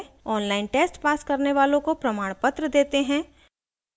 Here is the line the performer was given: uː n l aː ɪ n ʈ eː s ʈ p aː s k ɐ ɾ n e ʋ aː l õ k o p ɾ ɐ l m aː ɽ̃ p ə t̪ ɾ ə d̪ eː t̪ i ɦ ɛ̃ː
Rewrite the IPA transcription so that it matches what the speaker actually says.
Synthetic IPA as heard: ɔː n l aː ɪ n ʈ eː s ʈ p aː s k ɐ ɾ n e ʋ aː l õ k o p ɾ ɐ m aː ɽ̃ p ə t̪ ɾ ə d̪ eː t̪ e ɦ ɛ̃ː